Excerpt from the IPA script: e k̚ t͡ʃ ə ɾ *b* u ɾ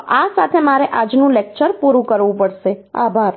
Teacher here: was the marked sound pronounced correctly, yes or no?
no